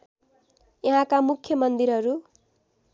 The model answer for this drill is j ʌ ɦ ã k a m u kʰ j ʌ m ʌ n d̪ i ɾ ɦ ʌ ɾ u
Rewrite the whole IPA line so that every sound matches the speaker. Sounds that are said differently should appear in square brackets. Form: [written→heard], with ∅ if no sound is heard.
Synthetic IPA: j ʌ ɦ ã k a m u kʰ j ʌ m ʌ n d̪ i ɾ ɦ ʌ ɾ u